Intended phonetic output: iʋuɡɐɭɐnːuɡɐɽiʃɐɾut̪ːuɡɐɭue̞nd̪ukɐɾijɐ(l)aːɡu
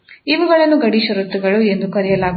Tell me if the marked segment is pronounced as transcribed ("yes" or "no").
yes